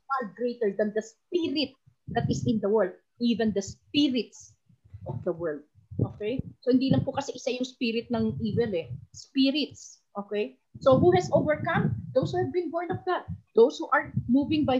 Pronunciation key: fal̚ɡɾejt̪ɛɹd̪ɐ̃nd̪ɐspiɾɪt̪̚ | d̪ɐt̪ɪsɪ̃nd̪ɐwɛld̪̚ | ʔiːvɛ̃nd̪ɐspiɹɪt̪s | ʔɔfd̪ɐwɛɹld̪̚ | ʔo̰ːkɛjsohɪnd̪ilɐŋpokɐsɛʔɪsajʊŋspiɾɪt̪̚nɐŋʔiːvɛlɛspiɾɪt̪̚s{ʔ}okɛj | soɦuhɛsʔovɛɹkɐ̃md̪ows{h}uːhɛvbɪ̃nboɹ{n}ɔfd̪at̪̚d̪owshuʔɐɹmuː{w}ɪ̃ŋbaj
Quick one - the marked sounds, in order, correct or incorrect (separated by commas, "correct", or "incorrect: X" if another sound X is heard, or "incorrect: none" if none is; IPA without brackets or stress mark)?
correct, correct, correct, incorrect: v